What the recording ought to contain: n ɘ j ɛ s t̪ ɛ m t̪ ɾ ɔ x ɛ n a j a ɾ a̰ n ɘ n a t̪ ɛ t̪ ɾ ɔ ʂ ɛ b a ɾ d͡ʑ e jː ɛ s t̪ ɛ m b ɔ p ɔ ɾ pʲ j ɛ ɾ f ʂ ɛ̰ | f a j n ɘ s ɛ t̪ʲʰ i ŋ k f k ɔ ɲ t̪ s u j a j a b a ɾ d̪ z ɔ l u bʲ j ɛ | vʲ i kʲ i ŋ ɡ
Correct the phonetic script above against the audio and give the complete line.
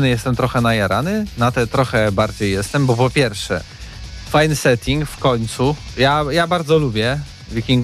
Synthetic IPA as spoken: n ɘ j ɛ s t̪ ɛ m t̪ ɾ ɔ x ɛ n a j a ɾ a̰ n ɘ n a t̪ ɛ t̪ ɾ ɔ x ɛ b a ɾ d͡ʑ e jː ɛ s t̪ ɛ m b ɔ p ɔ pʲ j ɛ ɾ f ʂ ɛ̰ | f a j n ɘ s ɛ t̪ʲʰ i ŋ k f k ɔ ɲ t̪ s u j a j a b a ɾ d̪ z ɔ l u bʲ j ɛ | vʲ i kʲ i ŋ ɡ